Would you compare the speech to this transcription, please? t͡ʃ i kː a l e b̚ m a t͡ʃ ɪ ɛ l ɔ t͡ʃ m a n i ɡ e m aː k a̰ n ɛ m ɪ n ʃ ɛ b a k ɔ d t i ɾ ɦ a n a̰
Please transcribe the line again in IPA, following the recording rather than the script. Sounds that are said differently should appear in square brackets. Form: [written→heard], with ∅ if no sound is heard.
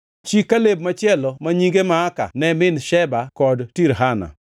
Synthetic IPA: t͡ʃ i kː a l e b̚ m a t͡ʃ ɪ ɛ l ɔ [t͡ʃ→∅] m a [n→ɲ] i ɡ e m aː k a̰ n ɛ m ɪ n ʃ ɛ b a k ɔ d t i ɾ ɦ a n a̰